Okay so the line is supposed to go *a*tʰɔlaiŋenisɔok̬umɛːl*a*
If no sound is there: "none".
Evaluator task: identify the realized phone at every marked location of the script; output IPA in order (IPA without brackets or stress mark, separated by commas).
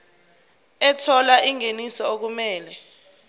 ɛ, ɛ